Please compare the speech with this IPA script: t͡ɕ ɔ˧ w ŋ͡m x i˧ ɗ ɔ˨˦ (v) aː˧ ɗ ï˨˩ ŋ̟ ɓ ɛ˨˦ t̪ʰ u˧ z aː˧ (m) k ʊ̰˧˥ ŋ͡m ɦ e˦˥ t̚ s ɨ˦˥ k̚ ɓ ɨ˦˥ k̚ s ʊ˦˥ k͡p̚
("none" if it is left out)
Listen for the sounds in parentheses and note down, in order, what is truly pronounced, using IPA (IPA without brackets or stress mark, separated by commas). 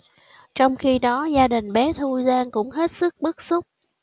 z, ŋ